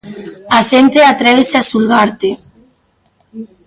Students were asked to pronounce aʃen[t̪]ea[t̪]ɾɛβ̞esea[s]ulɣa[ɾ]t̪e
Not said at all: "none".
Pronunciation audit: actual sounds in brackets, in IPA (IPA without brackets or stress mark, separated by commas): t̪, t̪, s, ɾ